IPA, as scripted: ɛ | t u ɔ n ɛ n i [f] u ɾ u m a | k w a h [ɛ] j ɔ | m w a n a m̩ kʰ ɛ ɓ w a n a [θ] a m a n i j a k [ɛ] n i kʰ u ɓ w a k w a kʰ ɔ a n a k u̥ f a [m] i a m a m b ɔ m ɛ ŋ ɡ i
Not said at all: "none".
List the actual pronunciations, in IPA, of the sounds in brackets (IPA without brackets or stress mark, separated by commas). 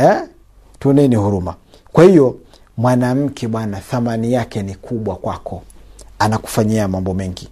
h, i, θ, ɛ, ɲ